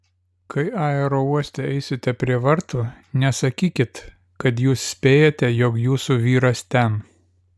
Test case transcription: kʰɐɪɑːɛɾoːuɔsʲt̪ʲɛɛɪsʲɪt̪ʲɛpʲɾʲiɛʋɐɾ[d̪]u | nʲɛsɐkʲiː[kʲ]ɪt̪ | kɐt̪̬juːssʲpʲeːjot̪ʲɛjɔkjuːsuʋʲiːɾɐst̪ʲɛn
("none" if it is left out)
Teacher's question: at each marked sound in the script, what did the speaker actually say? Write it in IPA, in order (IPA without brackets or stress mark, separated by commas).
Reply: t̪, kʲ